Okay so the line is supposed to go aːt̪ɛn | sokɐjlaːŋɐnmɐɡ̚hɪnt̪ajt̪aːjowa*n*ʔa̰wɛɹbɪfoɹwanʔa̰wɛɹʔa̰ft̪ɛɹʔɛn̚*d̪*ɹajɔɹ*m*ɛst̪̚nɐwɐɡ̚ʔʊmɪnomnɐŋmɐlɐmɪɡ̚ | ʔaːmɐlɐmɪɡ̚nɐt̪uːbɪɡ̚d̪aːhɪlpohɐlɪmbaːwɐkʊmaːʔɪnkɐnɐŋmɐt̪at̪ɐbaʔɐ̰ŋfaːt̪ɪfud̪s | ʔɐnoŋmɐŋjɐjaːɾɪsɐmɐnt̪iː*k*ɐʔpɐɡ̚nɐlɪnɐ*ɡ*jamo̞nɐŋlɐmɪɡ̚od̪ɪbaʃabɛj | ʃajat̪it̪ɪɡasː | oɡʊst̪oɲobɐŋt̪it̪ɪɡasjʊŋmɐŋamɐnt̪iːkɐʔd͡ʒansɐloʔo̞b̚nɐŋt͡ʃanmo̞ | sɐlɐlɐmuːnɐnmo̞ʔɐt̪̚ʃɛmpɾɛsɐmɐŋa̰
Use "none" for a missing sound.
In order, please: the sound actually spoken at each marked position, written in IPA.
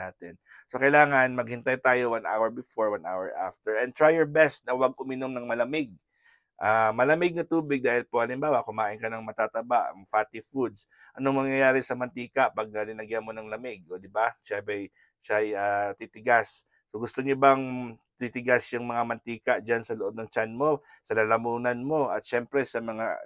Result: n, t̪, b, k, ɡ

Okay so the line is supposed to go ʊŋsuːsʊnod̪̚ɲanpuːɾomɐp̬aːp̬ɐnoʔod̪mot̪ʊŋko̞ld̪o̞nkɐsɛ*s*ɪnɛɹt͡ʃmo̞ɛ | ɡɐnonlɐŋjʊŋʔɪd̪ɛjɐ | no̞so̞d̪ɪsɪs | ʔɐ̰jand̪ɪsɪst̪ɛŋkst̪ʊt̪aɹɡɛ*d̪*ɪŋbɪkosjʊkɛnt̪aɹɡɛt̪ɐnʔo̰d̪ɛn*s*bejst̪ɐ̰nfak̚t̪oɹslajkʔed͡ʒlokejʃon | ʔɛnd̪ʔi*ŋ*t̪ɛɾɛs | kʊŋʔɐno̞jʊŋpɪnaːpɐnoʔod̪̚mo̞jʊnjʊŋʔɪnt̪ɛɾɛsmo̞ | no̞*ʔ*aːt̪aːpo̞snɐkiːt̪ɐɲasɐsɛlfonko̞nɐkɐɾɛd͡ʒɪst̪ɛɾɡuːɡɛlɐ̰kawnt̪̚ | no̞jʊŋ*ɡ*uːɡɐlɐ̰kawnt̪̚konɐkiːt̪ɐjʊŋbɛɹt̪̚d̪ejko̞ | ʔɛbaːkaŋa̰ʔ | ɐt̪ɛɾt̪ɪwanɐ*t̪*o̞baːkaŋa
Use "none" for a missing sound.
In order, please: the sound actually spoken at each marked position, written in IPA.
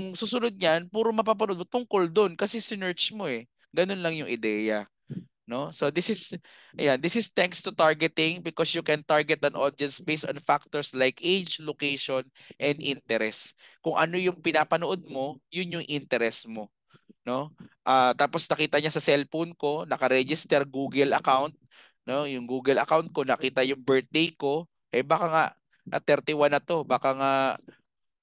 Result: s, t̪, s, n, ʔ, ɡ, t̪

